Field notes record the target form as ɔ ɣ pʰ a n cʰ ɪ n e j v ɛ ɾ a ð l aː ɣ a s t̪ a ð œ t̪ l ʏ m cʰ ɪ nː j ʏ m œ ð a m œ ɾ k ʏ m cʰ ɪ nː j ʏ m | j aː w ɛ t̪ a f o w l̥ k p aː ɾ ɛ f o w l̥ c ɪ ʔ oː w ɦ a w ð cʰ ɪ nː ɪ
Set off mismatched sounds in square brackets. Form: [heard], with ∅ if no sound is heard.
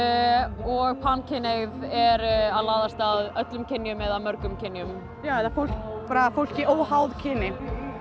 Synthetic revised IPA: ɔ ɣ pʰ a n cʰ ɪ n e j v ɛ ɾ a ð l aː [ð] a s t̪ a ð œ t̪ l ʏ m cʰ ɪ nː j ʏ m [ɛ] ð a m œ ɾ k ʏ m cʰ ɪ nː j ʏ m | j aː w ɛ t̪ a f o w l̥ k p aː ɾ [a] f o w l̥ c ɪ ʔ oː w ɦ a w ð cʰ ɪ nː ɪ